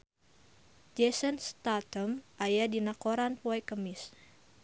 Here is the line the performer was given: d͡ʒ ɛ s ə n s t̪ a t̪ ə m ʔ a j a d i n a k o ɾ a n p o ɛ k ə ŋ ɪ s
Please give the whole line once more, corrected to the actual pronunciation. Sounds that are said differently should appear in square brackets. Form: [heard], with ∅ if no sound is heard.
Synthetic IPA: d͡ʒ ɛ s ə n s t̪ a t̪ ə m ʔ a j a d i n a k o ɾ a n p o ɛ k ə [m] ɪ s